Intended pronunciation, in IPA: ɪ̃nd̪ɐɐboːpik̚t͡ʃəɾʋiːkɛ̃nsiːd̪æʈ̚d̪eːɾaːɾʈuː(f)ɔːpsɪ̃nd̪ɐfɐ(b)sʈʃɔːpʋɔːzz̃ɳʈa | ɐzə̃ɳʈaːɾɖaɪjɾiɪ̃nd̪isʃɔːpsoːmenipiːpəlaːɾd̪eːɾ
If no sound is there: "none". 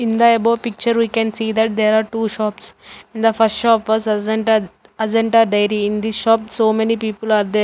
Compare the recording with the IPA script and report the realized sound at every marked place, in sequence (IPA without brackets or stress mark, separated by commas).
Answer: ʃ, none